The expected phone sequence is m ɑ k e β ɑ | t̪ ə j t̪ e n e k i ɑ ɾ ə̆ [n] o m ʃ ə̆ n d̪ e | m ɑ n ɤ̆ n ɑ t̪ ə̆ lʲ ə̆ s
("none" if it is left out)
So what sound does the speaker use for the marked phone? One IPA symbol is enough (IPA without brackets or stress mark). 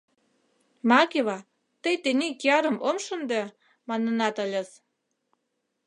m